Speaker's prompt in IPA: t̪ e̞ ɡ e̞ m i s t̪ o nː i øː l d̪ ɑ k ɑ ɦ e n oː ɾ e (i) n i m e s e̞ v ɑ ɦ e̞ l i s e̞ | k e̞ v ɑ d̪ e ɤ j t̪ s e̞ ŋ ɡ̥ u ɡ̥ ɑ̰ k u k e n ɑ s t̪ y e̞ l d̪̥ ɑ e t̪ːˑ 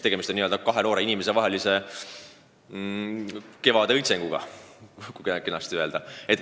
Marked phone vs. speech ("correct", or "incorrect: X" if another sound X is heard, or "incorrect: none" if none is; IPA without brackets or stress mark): correct